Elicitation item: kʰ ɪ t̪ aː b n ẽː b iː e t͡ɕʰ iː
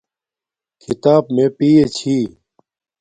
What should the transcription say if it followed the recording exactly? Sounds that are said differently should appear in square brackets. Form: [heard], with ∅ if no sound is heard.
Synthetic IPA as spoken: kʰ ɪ t̪ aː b [m] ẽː [p] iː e t͡ɕʰ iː